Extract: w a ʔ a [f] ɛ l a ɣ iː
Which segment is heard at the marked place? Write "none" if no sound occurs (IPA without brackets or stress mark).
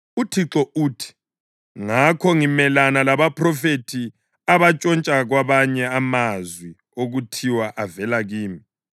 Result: v